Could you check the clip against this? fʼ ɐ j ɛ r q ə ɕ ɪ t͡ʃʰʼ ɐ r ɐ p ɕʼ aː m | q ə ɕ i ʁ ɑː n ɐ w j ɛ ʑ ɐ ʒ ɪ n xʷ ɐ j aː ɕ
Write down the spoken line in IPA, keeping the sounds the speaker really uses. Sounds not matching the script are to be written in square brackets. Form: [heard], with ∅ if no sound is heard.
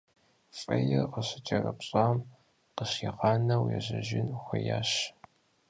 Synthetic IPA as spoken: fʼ ɐ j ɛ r q ə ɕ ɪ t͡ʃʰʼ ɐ r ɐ p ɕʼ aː m | q ə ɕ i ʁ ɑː n ɐ w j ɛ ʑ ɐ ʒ ɪ n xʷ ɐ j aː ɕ